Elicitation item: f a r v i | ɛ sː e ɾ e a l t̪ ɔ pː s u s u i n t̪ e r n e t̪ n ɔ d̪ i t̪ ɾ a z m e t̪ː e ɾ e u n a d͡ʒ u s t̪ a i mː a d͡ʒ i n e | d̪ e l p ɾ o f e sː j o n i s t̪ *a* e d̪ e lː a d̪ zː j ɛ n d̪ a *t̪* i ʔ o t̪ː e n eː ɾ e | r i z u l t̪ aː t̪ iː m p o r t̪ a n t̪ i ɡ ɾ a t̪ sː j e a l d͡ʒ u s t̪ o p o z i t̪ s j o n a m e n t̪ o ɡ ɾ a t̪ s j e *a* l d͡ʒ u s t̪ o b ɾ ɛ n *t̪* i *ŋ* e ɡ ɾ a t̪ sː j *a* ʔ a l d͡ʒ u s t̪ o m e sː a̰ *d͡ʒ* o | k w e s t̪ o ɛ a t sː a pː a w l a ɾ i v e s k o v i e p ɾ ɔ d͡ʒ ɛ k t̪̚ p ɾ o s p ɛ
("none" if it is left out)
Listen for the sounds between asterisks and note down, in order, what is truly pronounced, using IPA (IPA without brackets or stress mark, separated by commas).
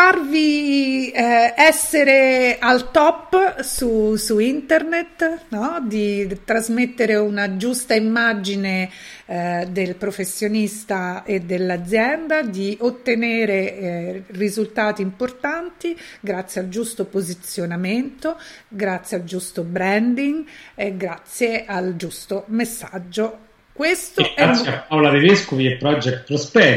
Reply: a, d̪, a, d̪, ŋ, e, d͡ʒː